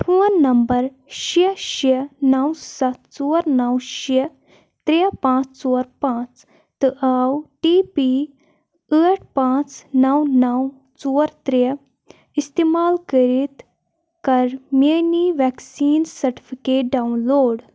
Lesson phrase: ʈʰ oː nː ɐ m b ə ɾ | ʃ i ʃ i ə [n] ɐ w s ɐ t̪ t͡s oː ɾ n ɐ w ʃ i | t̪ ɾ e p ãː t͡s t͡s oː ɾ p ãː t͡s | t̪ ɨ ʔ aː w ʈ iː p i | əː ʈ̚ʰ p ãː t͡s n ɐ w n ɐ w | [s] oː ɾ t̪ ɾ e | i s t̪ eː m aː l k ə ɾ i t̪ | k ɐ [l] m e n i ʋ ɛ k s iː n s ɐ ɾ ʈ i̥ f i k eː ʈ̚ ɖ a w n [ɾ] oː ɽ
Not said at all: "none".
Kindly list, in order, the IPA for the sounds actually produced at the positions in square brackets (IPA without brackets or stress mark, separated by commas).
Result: n, t͡s, ɾ, l